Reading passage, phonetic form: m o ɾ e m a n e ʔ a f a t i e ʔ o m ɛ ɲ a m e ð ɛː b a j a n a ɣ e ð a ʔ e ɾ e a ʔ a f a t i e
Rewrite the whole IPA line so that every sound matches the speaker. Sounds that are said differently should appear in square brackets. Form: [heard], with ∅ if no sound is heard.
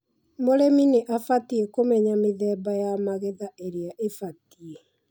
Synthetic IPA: m o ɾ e m [i] n e ʔ a f a t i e [k] o m ɛ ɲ a m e ð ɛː b a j a [m] a ɣ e ð a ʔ e ɾ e a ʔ [e] f a t i e